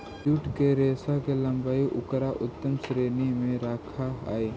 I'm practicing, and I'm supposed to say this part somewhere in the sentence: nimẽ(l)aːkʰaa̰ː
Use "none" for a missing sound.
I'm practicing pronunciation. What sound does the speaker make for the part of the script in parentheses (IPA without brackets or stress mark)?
ɾ